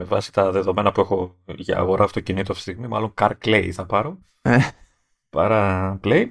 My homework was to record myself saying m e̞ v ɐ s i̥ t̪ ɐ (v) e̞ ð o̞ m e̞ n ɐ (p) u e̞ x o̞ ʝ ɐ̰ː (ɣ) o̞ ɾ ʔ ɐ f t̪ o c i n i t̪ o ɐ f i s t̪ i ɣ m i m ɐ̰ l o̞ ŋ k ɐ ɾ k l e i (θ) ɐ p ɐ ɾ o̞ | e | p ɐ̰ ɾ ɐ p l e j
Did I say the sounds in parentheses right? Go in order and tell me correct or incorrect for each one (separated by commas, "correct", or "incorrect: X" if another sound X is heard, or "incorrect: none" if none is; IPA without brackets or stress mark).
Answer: incorrect: ð, correct, correct, correct